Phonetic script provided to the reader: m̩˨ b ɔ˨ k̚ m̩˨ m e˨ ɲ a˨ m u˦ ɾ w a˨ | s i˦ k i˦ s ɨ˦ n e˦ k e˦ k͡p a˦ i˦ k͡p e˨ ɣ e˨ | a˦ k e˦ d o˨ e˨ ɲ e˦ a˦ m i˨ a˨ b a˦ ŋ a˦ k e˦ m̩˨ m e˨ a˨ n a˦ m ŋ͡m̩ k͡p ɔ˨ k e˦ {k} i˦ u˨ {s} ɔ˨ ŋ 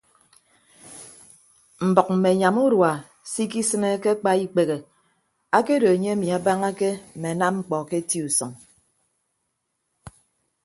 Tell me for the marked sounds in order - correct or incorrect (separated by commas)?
incorrect, correct